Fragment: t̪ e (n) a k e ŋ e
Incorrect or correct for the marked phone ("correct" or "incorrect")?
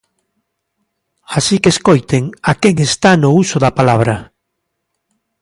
incorrect